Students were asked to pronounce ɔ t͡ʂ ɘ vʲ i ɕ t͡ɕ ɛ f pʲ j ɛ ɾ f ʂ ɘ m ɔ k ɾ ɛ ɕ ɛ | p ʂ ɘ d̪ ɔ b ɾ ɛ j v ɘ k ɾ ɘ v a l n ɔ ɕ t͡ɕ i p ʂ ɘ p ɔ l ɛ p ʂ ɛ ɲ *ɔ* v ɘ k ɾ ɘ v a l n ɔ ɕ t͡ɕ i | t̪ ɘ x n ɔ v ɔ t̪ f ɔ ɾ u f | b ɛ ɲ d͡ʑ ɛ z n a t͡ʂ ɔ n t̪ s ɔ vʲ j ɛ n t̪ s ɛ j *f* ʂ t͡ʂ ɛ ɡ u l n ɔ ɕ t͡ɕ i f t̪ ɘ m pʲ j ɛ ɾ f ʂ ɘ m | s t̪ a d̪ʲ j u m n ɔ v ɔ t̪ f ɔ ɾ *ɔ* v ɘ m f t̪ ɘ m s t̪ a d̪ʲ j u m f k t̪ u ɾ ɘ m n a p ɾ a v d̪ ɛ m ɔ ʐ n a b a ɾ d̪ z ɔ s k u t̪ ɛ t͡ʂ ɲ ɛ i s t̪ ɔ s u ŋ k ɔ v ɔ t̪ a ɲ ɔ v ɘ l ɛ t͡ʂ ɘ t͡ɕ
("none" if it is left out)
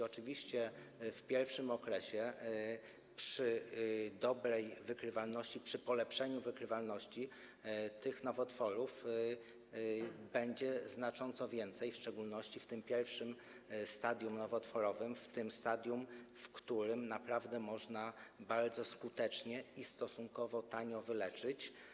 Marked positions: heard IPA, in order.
u, f, ɔ

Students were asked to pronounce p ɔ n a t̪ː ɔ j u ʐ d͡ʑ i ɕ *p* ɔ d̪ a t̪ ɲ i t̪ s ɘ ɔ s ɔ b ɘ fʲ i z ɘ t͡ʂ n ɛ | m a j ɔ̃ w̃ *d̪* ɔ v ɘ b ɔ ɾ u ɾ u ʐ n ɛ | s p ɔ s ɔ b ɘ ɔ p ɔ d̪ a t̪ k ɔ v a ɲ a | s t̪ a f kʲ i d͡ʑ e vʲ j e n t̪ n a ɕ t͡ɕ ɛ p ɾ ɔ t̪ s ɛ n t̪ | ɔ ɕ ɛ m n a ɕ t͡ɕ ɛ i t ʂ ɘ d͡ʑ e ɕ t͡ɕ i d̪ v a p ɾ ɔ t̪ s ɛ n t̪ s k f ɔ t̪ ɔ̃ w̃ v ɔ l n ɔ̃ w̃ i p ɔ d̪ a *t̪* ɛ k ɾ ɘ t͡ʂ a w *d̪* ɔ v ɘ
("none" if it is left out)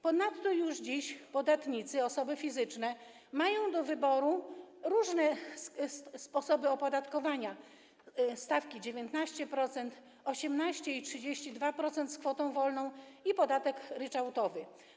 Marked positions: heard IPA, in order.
p, d̪, t̪, t̪

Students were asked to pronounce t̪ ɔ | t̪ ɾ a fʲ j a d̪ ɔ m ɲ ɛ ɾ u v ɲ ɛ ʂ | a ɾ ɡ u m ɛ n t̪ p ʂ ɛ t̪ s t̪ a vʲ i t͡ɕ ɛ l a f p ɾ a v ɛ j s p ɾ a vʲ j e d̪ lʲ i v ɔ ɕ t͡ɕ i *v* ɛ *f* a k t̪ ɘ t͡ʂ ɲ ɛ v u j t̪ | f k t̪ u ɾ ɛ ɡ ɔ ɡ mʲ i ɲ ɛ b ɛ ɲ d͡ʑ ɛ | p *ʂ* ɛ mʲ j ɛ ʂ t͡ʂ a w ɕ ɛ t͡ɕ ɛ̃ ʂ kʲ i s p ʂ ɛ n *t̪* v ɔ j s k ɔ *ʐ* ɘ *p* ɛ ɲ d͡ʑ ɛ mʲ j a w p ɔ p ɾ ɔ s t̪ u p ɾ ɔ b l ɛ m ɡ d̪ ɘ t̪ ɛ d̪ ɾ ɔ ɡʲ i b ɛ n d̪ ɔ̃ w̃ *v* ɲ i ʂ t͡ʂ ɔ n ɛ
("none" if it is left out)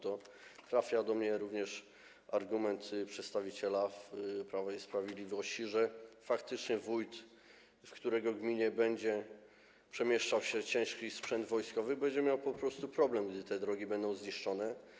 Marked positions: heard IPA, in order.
ʐ, f, ʂ, d̪, v, b, z

